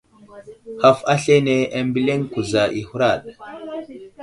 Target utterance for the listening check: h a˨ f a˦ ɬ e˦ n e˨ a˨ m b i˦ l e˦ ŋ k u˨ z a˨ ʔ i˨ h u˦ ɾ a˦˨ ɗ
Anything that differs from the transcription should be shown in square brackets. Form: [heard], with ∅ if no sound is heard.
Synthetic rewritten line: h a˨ f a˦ ɬ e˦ n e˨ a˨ m b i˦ l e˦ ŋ k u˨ z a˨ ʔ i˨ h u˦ ɾ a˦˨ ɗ